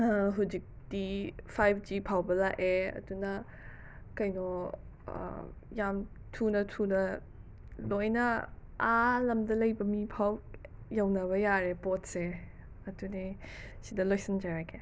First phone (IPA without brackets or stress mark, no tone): ɦ